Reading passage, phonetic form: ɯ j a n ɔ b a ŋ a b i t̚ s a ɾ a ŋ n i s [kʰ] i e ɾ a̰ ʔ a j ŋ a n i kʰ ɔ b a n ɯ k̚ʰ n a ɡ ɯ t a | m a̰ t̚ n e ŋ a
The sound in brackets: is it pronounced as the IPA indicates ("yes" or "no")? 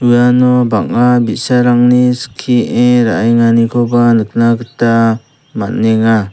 yes